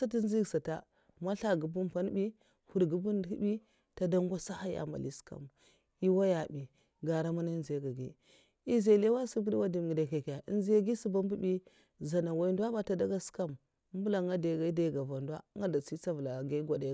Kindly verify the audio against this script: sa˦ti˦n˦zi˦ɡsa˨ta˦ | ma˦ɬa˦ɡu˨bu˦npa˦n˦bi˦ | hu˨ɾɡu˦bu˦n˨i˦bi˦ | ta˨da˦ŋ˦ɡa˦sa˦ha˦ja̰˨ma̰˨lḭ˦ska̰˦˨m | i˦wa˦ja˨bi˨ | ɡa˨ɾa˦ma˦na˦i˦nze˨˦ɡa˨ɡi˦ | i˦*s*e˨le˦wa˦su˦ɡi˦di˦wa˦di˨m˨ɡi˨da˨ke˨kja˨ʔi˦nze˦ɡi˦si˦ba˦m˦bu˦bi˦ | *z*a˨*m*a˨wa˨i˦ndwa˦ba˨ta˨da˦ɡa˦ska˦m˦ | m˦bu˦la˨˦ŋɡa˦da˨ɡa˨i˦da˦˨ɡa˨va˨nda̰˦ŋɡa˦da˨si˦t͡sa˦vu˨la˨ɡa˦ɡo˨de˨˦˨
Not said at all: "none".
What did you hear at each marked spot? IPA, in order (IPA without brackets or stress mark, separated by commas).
z, z, n